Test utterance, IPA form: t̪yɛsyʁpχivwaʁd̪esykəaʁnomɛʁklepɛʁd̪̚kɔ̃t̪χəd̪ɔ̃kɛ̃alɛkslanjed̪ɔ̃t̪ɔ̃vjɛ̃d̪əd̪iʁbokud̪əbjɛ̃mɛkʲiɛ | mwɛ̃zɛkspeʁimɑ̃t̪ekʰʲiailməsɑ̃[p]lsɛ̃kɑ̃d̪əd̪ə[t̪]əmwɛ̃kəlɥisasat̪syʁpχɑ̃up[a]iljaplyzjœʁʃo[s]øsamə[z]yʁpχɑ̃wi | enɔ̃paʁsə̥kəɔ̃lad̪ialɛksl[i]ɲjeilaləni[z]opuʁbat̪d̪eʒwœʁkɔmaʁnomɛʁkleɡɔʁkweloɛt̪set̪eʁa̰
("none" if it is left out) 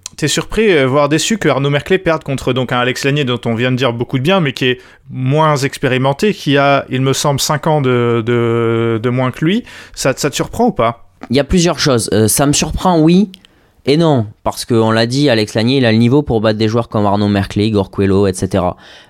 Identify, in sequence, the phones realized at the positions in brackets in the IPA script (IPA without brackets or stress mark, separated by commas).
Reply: b, d̪, a, z, s, a, v